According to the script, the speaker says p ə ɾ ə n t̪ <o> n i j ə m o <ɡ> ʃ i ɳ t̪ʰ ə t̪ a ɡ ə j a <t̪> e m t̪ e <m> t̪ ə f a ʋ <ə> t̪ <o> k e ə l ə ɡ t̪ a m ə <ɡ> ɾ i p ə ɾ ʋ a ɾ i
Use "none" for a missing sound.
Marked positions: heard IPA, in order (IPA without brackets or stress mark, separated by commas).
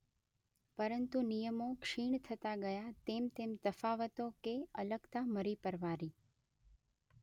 u, k, t̪, m, ə, o, none